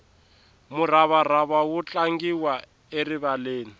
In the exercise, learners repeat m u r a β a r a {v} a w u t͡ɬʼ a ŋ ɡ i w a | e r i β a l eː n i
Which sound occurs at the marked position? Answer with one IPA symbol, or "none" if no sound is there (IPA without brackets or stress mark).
β